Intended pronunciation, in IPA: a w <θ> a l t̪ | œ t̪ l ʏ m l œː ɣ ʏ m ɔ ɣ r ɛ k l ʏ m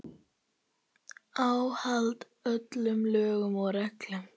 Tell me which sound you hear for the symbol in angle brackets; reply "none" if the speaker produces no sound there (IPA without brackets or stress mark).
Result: h